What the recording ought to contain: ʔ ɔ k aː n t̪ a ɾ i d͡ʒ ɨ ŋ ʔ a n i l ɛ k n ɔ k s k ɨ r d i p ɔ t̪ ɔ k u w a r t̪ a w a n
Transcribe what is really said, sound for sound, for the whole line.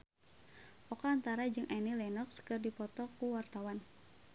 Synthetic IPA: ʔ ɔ k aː n t̪ a ɾ a d͡ʒ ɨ ŋ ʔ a n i l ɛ n ɔ k s k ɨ r d i p ɔ t̪ ɔ k u w a r t̪ a w a n